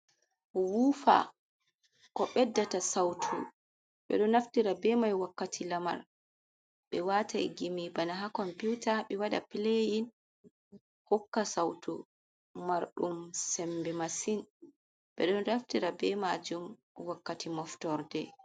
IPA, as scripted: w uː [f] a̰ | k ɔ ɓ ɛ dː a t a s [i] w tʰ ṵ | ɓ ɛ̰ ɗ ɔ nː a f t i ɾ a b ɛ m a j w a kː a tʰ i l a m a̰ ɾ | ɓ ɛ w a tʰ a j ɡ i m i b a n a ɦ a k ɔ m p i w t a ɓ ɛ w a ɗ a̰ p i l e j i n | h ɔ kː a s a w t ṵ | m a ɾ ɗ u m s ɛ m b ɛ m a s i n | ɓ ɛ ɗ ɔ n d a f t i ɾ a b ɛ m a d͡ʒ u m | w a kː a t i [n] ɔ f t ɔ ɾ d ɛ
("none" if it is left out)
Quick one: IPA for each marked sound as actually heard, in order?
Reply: f, a, m

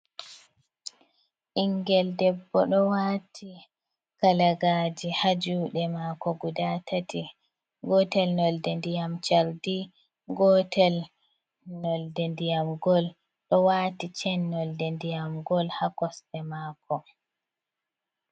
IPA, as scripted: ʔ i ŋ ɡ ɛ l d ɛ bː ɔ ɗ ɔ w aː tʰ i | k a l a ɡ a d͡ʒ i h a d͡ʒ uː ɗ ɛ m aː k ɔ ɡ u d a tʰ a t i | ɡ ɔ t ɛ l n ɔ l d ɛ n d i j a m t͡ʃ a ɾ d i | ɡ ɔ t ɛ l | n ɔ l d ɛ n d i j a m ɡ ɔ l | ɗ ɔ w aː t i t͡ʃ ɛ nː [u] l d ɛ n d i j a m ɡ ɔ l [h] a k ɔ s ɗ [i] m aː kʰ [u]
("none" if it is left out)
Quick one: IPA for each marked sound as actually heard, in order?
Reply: ɔ, h, ɛ, ɔ

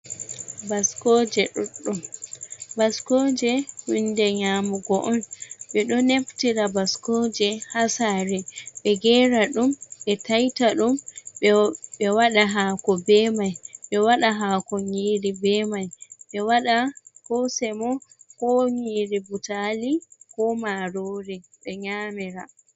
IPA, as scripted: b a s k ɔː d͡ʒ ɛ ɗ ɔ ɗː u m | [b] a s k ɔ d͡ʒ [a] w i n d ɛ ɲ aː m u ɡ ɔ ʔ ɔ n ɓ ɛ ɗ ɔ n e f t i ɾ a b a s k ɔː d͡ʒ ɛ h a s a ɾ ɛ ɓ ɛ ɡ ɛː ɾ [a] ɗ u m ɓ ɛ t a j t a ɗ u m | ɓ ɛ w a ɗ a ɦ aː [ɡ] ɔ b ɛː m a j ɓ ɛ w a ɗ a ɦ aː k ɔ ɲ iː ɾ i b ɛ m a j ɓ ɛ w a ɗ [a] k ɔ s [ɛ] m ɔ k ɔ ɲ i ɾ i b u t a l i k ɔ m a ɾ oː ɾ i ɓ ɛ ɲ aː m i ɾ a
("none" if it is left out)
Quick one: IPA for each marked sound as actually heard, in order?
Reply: b, ɛ, a, k, a, ɛ

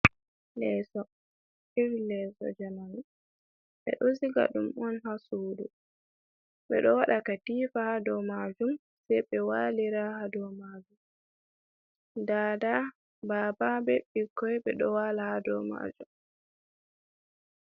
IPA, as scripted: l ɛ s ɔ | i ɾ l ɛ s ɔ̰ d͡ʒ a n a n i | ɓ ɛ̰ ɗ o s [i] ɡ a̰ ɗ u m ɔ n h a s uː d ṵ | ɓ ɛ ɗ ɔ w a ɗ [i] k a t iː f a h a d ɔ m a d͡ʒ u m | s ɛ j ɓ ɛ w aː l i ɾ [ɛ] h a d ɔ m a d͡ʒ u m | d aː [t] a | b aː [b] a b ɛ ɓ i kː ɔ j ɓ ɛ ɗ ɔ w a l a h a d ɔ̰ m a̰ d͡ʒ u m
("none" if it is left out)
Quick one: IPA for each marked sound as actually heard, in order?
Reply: i, a, a, d, b

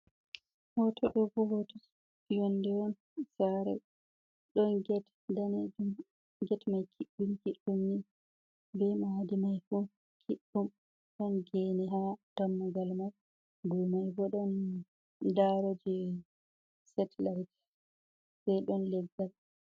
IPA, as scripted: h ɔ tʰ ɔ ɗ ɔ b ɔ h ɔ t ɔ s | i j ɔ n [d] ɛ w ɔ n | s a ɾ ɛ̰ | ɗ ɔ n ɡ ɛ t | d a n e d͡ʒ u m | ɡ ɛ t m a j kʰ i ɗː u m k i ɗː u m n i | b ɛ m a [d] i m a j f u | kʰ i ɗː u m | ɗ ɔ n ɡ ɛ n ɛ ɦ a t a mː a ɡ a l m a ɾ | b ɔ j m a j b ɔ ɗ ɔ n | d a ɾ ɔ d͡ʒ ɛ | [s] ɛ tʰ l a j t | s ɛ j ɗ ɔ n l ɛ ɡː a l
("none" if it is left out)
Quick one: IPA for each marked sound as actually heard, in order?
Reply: d, d, s

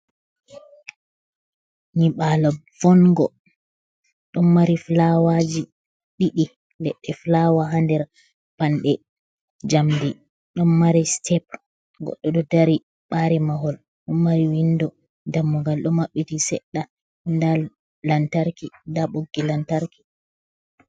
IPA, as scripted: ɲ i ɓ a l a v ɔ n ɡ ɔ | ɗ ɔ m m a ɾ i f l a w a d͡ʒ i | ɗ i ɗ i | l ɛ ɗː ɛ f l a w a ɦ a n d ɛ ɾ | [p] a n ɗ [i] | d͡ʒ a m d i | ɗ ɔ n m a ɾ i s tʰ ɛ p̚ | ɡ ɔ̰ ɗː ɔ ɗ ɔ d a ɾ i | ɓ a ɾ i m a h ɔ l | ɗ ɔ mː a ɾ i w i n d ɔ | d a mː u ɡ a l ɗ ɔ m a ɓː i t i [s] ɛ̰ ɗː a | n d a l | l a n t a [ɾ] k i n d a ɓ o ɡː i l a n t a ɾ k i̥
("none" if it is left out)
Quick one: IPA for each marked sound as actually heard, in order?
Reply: p, ɛ, s, ɾ

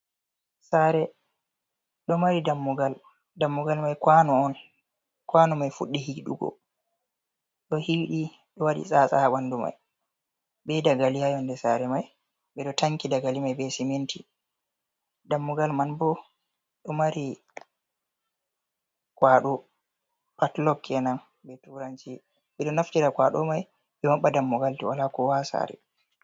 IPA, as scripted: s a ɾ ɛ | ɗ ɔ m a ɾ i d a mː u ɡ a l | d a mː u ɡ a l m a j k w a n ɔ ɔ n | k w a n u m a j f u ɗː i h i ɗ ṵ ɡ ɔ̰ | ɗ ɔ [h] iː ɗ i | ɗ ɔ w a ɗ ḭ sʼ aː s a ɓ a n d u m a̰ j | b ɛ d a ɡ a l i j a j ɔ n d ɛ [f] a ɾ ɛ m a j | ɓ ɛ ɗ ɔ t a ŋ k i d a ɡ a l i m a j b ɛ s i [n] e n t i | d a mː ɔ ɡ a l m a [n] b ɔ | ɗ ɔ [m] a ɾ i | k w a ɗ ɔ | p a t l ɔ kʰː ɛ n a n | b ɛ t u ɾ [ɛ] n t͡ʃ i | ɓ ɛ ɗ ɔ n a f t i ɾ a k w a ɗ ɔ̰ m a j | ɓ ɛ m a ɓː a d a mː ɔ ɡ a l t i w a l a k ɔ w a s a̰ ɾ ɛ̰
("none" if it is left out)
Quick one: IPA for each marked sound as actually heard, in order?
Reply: h, s, m, n, m, a

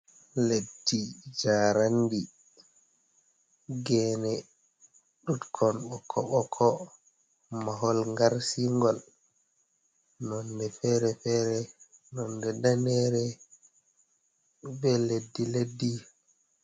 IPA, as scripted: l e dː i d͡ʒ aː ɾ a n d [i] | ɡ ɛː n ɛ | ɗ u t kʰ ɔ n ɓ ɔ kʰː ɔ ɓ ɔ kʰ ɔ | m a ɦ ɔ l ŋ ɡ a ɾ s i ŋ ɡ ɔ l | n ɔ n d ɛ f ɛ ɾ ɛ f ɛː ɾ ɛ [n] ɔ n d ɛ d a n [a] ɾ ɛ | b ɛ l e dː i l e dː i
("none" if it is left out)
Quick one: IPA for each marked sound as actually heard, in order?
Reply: i, n, ɛ

